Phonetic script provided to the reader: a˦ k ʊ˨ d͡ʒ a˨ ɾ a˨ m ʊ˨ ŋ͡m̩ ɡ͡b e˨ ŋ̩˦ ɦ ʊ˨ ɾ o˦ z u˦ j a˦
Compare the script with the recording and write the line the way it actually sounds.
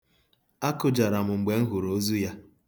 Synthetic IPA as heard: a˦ k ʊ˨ d͡ʒ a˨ ɾ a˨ m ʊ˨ ŋ͡m̩ ɡ͡b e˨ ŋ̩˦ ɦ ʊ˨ ɾ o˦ z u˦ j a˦